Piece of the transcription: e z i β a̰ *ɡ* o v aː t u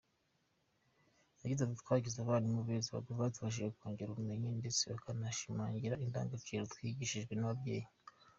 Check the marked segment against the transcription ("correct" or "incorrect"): correct